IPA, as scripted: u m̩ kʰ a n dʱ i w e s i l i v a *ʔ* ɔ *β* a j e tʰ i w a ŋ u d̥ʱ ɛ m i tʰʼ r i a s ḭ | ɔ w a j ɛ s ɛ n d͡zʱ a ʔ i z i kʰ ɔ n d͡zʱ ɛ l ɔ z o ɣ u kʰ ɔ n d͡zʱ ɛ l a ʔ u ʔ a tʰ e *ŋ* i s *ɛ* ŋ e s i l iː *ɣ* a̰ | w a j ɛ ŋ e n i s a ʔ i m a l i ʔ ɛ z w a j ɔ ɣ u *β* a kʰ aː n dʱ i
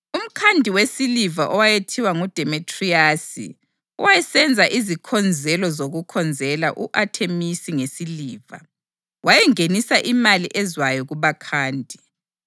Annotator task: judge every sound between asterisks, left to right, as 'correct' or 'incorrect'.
correct, incorrect: w, incorrect: m, incorrect: i, incorrect: v, correct

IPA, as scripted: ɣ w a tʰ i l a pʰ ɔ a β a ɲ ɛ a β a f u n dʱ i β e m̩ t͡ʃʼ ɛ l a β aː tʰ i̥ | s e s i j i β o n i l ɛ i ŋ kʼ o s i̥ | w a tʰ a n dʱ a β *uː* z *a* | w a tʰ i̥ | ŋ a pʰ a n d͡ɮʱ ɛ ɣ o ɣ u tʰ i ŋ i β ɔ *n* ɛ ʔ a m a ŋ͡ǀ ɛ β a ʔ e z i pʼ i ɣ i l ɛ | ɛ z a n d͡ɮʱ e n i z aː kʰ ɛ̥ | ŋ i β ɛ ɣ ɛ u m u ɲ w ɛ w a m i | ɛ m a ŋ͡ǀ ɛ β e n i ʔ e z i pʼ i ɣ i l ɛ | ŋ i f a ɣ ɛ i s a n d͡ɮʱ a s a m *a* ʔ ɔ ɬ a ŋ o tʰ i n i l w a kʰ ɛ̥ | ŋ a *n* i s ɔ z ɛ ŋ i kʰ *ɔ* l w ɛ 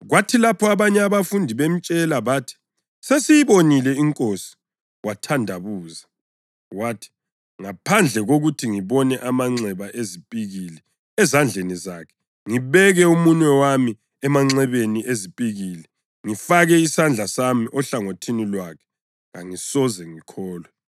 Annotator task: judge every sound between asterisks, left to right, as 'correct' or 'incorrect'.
correct, correct, correct, incorrect: i, incorrect: ŋ, incorrect: ɔː

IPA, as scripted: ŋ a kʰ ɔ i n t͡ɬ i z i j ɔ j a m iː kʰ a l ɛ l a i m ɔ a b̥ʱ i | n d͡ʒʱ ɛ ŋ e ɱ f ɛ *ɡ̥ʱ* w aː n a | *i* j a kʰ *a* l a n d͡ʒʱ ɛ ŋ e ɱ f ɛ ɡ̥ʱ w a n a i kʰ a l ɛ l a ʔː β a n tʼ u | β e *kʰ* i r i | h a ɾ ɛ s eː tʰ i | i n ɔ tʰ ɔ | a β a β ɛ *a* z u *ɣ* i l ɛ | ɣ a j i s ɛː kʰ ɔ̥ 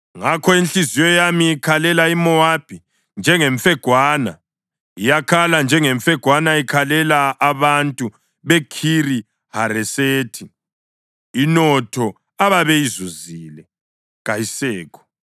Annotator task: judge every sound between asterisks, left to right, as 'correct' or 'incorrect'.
correct, correct, correct, correct, incorrect: i, incorrect: z

